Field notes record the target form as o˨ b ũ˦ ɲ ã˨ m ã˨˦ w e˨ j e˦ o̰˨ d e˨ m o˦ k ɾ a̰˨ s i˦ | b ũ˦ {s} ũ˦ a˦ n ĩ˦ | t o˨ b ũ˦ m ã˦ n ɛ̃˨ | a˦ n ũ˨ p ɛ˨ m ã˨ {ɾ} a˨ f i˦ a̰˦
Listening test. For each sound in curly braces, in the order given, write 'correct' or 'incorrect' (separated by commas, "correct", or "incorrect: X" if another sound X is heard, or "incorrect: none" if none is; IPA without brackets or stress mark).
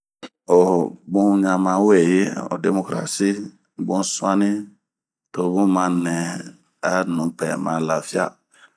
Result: correct, incorrect: l